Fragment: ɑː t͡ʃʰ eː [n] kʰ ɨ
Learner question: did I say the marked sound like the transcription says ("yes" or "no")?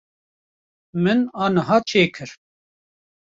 no